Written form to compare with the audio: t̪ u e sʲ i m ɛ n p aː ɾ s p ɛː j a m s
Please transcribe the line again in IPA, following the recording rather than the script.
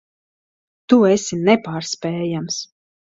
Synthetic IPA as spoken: t̪ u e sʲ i n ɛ p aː ɾ s p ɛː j a m s